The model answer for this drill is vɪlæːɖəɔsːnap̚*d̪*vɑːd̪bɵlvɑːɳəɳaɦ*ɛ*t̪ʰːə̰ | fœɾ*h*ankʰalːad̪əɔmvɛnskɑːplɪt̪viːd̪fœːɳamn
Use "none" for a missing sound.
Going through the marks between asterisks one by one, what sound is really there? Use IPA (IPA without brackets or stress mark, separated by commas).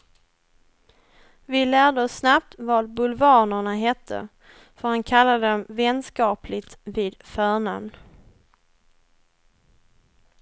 t̪, ɛ, h